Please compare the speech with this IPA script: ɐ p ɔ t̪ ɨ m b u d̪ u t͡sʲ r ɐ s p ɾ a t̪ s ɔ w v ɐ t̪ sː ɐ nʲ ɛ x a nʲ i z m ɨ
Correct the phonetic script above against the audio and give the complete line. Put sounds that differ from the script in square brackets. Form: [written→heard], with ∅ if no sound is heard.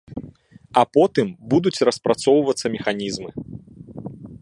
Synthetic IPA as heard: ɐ p ɔ t̪ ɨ m b u d̪ u t͡sʲ r ɐ s p ɾ a t̪ s ɔ w v ɐ t̪ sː ɐ [nʲ→mʲ] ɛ x a nʲ i z m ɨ